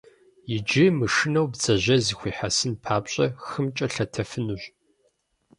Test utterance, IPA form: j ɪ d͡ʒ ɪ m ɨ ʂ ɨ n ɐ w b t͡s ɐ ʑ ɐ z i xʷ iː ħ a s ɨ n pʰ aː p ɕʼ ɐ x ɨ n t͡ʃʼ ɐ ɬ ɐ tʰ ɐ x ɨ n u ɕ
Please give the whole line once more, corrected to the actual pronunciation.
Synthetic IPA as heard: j ɪ d͡ʒ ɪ m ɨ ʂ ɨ n ɐ w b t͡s ɐ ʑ ɐ z i xʷ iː ħ a s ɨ n pʰ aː p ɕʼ ɐ x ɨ m t͡ʃʼ ɐ ɬ ɐ tʰ ɐ f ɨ n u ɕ